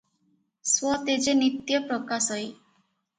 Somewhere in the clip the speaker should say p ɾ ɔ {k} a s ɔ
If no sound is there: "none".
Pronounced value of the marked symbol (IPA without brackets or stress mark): k